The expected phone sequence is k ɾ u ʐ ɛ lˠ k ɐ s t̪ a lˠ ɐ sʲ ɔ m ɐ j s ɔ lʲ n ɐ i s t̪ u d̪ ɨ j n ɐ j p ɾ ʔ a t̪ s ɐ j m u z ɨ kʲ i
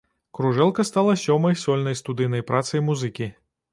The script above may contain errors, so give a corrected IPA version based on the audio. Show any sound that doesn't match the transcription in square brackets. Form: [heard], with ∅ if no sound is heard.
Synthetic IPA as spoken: k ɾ u ʐ ɛ lˠ k ɐ s t̪ a lˠ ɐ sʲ ɔ m ɐ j s ɔ lʲ n ɐ [j] s t̪ u d̪ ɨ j n ɐ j p ɾ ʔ a t̪ s ɐ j m u z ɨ kʲ i